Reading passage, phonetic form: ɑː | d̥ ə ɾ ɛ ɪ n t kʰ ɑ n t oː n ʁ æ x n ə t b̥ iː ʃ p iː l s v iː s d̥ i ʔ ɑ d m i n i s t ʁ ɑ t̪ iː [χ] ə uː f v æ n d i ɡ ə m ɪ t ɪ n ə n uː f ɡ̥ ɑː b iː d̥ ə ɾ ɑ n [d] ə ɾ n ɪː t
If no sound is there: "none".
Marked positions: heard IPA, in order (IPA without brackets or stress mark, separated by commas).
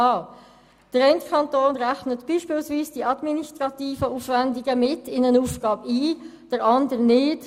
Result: f, d